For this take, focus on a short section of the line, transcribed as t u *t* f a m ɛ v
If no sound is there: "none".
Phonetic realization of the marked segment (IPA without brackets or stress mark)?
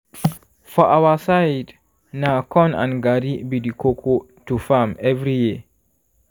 none